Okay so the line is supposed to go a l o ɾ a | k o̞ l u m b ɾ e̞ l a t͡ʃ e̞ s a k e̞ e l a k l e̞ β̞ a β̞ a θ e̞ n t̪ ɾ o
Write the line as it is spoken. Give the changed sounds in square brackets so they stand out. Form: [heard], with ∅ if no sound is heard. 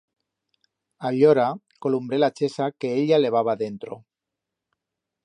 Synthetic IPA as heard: a [ʎ] o ɾ a | k o̞ l u m b ɾ e̞ l a t͡ʃ e̞ s a k e̞ e [ʎ] a [∅] l e̞ β̞ a β̞ a [ð] e̞ n t̪ ɾ o